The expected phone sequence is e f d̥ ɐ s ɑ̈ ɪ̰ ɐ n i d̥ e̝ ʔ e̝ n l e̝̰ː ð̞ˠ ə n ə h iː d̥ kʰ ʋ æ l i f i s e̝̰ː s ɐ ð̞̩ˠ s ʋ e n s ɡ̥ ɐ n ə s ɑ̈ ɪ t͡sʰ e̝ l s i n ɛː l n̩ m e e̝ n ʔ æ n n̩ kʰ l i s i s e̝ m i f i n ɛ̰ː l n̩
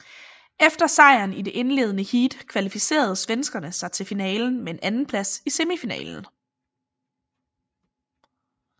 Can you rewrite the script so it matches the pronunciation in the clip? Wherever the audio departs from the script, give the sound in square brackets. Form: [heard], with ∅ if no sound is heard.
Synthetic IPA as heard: e f d̥ ɐ s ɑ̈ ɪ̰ ɐ n i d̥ e̝ ʔ e̝ n l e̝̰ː ð̞ˠ ə n ə h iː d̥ kʰ ʋ æ l i f i s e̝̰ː [∅] ɐ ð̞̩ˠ s ʋ e n s ɡ̥ ɐ n ə s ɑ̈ ɪ t͡sʰ e̝ l [f] i n ɛː l n̩ m e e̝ n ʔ æ n n̩ [pʰ] l [æ] s i s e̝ m i f i n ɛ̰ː l n̩